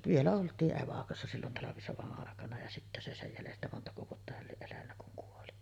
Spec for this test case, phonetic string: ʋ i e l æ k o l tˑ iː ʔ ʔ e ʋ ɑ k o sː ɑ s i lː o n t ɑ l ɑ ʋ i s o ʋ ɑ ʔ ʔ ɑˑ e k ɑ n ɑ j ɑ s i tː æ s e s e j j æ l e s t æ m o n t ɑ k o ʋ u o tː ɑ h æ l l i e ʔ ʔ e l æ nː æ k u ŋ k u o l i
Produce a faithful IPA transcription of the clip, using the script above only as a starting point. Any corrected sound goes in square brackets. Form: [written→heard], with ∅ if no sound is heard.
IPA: ʋ i e l æ [k→∅] o l tˑ iː ʔ ʔ e ʋ ɑ k o sː ɑ s i lː o n t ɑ l ɑ ʋ i s o ʋ ɑ ʔ ʔ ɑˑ e k ɑ n ɑ j ɑ s i tː æ s e s e j j æ l e s t æ m o n t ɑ k o ʋ u o tː ɑ h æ l l i e ʔ ʔ e l æ nː æ k u ŋ k u o l i